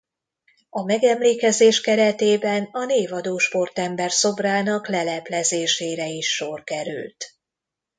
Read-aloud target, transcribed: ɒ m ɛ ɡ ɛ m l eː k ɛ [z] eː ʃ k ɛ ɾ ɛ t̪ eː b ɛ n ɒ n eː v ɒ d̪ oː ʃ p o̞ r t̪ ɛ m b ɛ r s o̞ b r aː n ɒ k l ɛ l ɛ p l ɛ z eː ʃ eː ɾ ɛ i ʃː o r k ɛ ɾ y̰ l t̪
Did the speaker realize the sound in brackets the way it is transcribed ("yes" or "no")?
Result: yes